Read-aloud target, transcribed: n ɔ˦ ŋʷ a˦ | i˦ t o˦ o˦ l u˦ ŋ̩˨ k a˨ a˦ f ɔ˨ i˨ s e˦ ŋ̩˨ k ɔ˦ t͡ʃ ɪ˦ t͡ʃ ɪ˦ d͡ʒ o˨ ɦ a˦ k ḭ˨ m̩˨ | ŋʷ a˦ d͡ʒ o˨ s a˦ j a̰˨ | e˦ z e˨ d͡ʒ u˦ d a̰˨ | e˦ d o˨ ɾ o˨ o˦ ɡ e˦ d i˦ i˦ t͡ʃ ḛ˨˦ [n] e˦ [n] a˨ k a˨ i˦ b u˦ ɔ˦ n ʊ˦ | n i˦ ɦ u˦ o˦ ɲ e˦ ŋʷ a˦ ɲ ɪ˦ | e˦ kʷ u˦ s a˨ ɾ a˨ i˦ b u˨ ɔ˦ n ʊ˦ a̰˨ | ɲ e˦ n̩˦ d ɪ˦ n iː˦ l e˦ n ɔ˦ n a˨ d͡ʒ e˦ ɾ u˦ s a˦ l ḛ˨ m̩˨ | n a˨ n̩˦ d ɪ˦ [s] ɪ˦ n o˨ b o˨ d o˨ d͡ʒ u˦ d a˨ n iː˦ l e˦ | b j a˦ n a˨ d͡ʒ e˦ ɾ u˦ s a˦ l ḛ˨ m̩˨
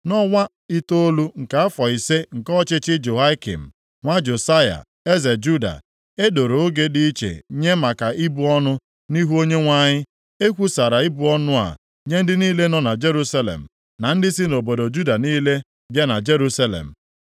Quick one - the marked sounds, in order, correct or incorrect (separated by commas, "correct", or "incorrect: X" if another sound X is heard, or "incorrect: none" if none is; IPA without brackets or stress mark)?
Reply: incorrect: ɲ, incorrect: m, correct